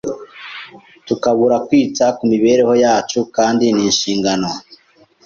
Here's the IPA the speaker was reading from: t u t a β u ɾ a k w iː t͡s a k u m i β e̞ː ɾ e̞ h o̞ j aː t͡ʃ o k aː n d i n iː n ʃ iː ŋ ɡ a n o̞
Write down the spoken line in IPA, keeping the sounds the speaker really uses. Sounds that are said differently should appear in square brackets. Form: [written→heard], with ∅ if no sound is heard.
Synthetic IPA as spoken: t u [t→k] a β u ɾ a k w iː t͡s a k u m i β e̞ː ɾ e̞ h o̞ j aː t͡ʃ [o→u] k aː n d i n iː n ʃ iː ŋ ɡ a n o̞